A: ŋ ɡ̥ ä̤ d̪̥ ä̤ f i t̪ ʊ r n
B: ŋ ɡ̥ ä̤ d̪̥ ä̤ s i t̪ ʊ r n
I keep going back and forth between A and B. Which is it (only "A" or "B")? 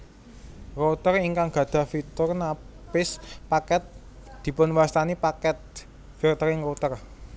A